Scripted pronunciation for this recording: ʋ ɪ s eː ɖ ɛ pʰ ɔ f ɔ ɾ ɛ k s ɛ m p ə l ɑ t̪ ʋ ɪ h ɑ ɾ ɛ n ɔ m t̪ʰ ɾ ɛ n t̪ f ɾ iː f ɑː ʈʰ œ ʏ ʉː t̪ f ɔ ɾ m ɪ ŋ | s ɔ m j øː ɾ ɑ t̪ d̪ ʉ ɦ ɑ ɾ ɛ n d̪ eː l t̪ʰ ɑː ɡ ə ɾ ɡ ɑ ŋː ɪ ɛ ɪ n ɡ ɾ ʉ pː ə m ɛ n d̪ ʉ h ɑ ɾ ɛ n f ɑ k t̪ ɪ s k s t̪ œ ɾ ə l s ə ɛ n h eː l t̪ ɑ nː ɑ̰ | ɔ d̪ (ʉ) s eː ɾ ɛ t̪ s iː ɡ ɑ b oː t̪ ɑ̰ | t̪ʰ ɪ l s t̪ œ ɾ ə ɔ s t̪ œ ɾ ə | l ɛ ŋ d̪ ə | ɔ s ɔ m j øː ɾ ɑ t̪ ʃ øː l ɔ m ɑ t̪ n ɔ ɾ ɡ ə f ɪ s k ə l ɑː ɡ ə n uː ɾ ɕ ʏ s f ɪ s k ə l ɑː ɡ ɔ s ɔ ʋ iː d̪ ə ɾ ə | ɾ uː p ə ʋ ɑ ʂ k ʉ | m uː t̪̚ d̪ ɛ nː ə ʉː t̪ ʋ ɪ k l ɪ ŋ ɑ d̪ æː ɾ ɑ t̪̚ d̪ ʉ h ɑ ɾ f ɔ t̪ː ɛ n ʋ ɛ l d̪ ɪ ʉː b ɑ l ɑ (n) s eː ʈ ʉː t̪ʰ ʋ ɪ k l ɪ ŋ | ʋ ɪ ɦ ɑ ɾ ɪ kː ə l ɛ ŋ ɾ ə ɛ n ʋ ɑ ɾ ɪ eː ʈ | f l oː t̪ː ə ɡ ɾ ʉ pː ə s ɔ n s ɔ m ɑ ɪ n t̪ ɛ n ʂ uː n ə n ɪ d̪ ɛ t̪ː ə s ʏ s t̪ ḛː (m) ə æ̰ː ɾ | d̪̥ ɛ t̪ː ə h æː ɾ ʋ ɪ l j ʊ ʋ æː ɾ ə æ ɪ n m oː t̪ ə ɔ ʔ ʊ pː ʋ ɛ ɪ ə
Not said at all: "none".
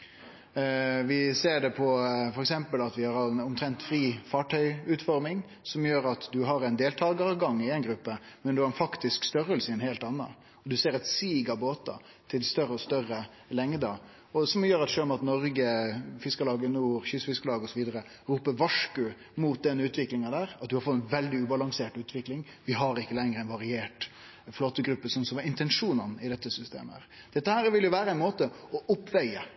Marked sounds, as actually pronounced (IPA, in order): ʉ, ŋ, m

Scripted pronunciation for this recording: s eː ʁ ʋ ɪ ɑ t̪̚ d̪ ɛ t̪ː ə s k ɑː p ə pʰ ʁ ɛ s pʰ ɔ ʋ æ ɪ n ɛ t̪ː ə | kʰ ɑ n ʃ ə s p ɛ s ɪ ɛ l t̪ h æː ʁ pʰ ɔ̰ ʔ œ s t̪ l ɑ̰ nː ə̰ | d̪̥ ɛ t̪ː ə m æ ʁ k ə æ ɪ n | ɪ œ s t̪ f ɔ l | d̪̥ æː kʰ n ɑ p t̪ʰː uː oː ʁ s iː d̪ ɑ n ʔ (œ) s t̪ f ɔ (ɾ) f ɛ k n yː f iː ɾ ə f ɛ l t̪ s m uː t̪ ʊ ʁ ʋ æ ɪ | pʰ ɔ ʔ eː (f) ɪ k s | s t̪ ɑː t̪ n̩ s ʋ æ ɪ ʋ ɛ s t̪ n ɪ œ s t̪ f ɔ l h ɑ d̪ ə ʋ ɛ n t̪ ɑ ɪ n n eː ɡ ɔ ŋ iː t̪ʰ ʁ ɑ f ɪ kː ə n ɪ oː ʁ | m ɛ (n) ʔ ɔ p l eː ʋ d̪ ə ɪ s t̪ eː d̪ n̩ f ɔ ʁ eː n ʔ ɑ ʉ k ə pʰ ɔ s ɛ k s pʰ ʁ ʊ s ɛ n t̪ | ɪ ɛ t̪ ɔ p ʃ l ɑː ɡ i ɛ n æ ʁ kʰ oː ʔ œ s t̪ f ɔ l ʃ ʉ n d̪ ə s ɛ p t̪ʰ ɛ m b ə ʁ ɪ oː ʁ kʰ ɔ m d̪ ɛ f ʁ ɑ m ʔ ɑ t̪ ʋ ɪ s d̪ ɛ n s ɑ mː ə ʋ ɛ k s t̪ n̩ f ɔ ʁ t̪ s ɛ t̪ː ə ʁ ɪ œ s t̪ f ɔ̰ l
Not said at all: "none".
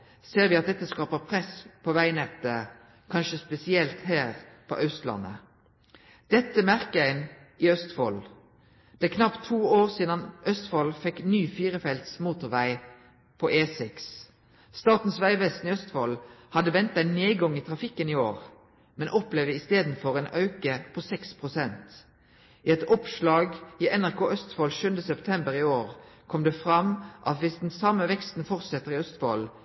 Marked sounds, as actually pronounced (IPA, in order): œ, l, s, n

